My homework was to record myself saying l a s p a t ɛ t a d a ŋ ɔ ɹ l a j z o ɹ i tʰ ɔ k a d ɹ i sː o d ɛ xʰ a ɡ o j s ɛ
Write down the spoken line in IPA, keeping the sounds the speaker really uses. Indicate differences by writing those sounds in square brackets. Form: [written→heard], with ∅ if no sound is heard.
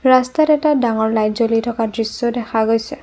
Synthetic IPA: [l→ɹ] a s [p→t] a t ɛ t a d a ŋ ɔ ɹ l a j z o [ɹ→l] i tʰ ɔ k a d ɹ i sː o d ɛ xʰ a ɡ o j s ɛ